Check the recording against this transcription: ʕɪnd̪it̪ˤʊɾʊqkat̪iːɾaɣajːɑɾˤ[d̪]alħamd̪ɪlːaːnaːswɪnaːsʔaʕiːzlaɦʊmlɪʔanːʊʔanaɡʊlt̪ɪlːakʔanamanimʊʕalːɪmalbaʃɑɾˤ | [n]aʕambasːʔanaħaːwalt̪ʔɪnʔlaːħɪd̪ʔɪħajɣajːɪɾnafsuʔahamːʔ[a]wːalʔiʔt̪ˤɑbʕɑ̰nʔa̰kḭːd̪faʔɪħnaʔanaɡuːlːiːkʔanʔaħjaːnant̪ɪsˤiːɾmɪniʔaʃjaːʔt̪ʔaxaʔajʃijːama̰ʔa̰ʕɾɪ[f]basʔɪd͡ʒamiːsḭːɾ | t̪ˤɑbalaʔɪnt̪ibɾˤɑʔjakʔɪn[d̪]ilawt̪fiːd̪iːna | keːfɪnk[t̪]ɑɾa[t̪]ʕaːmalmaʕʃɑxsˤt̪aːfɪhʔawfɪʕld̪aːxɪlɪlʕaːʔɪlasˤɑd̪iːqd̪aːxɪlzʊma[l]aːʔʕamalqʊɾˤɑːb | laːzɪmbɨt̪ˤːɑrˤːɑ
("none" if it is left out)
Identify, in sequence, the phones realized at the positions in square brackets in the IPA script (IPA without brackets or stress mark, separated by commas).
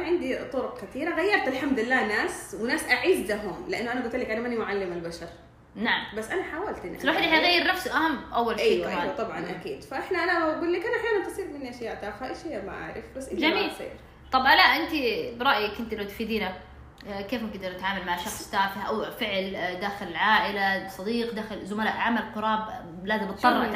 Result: t̪, n, a, f, t̪, d̪, t̪, l